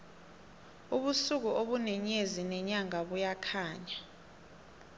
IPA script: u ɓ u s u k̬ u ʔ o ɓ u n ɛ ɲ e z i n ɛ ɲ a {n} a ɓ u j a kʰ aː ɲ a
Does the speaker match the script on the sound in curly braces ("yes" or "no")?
no